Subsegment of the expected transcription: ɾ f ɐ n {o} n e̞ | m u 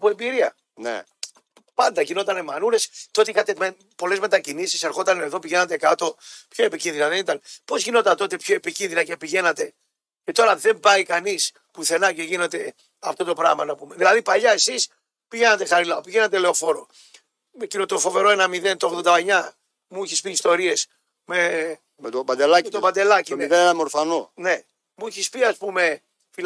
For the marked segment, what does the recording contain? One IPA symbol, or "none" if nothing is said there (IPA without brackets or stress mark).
o